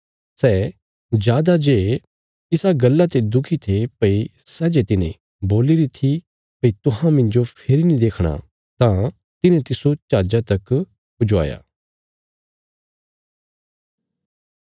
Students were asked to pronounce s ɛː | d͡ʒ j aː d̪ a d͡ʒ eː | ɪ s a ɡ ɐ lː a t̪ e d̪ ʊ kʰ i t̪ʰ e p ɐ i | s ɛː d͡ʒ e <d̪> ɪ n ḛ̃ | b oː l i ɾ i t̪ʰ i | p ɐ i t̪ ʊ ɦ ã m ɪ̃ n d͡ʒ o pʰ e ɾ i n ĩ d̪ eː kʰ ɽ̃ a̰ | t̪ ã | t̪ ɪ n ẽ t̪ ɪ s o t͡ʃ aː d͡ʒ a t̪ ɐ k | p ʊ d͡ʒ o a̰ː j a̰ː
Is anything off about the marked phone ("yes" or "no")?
yes